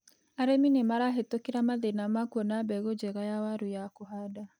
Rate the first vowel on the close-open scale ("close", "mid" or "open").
open